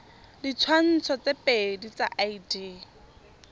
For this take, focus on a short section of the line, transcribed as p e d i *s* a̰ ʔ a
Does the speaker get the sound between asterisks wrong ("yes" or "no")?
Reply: yes